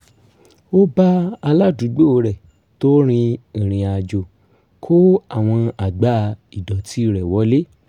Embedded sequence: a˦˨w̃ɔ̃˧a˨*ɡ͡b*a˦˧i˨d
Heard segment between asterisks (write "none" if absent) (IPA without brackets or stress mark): ɡ͡b